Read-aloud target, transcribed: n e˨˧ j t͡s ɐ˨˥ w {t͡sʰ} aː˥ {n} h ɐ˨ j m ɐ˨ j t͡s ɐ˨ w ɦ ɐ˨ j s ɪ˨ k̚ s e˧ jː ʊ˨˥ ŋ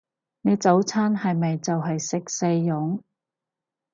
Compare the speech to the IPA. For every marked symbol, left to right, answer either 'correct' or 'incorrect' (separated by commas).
correct, correct